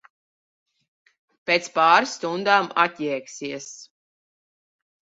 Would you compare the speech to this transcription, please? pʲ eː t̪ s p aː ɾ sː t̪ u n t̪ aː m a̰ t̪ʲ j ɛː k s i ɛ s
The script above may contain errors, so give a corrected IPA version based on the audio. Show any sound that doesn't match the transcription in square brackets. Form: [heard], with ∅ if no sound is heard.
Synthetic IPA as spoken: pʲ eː t̪ s p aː ɾ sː t̪ u n [d̪] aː m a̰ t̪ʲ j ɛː k s i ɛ s